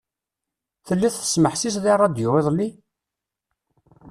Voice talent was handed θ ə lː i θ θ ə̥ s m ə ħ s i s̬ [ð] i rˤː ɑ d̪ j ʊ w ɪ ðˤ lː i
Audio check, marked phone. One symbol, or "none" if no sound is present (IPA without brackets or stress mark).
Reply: ð